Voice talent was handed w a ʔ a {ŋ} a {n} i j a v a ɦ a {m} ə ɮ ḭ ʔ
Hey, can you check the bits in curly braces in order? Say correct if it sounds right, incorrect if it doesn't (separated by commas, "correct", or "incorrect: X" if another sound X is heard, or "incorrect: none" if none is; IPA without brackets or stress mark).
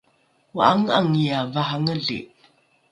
correct, incorrect: ŋ, incorrect: ŋ